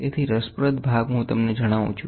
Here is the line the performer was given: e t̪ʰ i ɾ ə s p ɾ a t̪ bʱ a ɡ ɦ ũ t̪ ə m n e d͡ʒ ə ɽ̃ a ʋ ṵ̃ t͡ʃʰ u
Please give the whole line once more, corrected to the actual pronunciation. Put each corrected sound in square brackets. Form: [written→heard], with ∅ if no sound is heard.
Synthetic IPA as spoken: e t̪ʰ i ɾ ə s p ɾ [a→ə] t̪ bʱ a ɡ ɦ ũ t̪ ə m n e d͡ʒ ə ɽ̃ a ʋ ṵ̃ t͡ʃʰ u